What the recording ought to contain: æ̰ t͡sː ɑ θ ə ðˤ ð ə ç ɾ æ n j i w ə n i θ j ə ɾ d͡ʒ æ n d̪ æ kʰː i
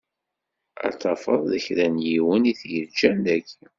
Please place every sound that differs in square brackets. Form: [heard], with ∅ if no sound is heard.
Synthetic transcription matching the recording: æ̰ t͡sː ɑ [f] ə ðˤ ð ə ç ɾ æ n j i w ə n i θ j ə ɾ d͡ʒ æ n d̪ æ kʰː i